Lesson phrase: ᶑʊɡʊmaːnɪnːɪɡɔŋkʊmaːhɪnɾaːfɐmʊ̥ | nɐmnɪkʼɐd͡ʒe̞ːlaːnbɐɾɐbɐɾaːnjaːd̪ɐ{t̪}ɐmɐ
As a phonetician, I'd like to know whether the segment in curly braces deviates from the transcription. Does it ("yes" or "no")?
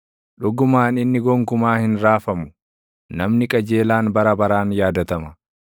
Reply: no